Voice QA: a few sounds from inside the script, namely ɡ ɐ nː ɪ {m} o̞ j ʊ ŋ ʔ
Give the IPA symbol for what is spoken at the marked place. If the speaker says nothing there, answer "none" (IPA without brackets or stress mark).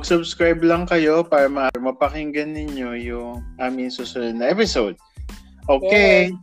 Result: ɲ